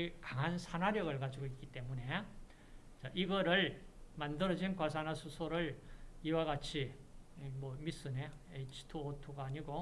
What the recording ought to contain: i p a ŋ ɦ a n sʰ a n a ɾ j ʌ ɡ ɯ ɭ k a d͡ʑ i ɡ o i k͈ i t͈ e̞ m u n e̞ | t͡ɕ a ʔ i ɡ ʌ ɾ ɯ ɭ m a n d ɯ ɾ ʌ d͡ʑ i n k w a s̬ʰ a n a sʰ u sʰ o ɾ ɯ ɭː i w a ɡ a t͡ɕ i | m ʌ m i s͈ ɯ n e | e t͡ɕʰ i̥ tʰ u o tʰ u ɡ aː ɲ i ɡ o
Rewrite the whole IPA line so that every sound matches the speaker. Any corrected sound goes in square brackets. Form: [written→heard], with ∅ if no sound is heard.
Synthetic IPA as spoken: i [p→k] a ŋ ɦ a n sʰ a n a ɾ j ʌ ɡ ɯ ɭ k a d͡ʑ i ɡ o i k͈ i t͈ e̞ m u n e̞ | t͡ɕ a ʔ i ɡ ʌ ɾ ɯ ɭ m a n d ɯ ɾ ʌ d͡ʑ i n k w a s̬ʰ a n a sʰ u sʰ o ɾ ɯ [ɭː→ɭ] i w a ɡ a [t͡ɕ→t͡ɕʰ] i | m ʌ m i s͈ ɯ n e | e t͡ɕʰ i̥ tʰ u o tʰ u ɡ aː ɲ i ɡ o